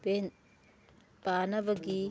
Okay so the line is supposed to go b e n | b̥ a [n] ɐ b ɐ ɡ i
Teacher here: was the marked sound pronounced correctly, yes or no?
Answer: yes